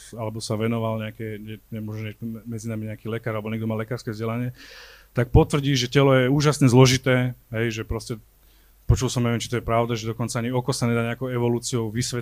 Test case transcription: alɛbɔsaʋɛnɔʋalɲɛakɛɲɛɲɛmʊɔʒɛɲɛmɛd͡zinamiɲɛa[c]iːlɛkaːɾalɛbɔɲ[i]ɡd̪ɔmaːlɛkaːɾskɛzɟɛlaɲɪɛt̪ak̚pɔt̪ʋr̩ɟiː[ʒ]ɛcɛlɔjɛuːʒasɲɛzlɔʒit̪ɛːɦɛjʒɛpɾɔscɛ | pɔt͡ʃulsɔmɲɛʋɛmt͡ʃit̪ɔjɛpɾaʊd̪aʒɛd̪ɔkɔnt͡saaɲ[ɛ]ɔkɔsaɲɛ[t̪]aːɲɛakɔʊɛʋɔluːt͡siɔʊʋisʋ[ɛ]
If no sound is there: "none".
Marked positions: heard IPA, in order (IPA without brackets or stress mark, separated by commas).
k, ɛ, ʒ, i, d̪, ɛ